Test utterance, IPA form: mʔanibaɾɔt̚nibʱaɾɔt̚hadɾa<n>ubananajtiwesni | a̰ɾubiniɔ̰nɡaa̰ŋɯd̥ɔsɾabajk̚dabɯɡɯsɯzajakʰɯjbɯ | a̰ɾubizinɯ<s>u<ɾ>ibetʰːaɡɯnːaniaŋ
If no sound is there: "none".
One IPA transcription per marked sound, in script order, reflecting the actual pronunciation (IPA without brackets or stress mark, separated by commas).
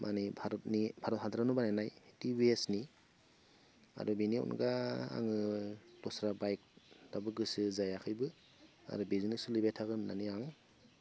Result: n, s, l